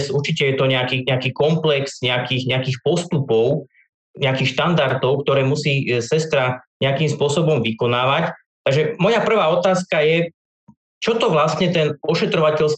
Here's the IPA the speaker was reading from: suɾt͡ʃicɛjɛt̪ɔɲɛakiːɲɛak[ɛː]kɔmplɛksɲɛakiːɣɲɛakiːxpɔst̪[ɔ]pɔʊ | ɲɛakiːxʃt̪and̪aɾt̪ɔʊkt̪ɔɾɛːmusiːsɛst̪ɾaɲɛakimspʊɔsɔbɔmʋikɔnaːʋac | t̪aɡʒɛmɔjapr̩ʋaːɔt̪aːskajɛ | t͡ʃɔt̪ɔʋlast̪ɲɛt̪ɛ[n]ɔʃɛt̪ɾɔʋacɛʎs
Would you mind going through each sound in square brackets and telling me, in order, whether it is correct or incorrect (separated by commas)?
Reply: incorrect, incorrect, correct